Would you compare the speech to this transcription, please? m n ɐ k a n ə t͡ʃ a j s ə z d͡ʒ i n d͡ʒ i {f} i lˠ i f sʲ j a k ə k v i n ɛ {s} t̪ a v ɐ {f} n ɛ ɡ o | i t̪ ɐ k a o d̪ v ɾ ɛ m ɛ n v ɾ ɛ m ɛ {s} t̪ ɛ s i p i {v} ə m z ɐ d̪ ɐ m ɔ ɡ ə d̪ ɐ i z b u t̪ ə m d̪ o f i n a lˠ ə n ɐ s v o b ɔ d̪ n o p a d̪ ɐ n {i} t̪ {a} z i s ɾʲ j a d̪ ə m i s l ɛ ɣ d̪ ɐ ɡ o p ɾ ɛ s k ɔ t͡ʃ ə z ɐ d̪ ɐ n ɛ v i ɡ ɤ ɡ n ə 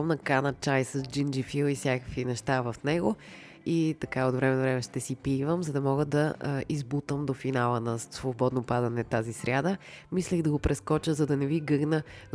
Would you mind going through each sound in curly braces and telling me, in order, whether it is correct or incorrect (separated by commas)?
correct, incorrect, correct, incorrect, correct, incorrect, correct